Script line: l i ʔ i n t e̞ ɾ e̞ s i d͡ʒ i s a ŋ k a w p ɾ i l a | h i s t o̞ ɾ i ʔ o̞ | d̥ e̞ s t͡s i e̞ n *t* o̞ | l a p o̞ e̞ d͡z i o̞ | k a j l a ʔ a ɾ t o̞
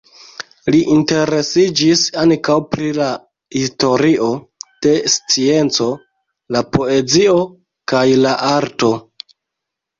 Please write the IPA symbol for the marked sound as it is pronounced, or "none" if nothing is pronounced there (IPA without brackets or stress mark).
t͡s